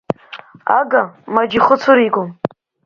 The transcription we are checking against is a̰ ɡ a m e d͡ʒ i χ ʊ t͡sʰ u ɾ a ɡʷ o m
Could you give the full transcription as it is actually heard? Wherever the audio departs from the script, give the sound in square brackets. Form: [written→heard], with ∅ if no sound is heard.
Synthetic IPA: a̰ ɡ a m [e→a] d͡ʒ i χ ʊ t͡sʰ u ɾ [a→i] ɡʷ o m